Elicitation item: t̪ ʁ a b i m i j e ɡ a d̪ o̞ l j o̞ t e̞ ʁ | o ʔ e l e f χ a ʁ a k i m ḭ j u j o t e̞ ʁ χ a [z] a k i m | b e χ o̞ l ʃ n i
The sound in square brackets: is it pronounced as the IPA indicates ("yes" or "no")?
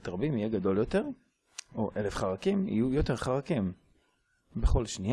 no